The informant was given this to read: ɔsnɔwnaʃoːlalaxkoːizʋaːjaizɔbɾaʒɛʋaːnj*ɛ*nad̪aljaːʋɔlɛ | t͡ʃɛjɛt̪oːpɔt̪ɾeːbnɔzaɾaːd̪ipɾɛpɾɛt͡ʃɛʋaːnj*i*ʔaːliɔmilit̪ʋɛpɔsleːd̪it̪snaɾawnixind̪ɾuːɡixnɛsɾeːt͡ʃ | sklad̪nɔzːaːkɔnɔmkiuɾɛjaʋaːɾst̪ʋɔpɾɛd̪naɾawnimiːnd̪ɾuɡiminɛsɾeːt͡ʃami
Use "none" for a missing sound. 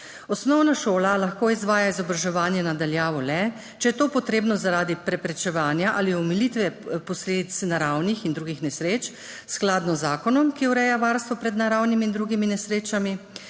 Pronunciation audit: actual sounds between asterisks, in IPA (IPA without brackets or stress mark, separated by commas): ɛ, a